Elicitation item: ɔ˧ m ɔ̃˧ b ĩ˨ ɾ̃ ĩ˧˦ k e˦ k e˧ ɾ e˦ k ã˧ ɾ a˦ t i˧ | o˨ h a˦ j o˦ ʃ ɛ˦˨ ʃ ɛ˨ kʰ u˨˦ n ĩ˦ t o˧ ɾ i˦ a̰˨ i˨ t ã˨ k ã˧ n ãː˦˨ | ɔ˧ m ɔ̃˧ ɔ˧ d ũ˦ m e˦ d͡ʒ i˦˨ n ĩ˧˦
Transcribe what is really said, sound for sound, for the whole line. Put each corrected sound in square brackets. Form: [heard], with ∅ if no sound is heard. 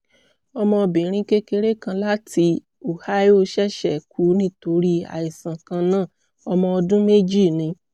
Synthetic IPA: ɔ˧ m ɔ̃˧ b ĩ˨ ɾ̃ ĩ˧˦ k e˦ k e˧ ɾ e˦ k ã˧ [l] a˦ t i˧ | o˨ h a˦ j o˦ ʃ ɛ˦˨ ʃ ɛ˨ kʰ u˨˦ n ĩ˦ t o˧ ɾ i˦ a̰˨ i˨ [s] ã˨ k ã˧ n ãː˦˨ | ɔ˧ m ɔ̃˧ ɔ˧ d ũ˦ m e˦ d͡ʒ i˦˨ n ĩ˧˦